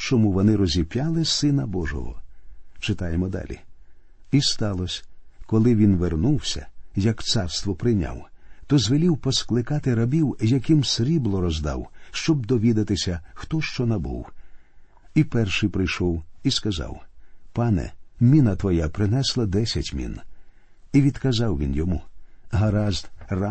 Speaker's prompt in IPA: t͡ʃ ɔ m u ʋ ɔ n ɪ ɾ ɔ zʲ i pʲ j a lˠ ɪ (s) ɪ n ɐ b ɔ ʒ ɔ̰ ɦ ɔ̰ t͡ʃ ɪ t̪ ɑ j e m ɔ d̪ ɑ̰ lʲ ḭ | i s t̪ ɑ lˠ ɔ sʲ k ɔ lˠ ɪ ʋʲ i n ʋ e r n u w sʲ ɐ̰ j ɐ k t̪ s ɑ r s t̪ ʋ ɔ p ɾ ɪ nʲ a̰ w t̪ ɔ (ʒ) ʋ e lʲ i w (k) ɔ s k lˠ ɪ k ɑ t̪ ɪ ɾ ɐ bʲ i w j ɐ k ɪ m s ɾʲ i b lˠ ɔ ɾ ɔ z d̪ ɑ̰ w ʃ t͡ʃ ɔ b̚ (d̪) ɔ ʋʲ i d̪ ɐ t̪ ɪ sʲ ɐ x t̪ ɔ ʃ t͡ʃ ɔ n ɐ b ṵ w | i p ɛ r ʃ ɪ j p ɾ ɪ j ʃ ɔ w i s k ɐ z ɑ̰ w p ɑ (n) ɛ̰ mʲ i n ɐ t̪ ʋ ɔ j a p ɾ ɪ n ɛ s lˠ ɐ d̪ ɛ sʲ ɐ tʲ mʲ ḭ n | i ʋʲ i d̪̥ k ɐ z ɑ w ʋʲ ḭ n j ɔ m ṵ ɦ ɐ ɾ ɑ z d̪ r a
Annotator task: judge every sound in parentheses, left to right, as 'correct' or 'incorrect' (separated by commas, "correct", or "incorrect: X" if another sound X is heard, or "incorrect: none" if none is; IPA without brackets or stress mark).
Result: correct, incorrect: z, incorrect: p, correct, correct